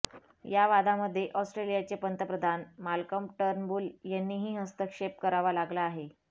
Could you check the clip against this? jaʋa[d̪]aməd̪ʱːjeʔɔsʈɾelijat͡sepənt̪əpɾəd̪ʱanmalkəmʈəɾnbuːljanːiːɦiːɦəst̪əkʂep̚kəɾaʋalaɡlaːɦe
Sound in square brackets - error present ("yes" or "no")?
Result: no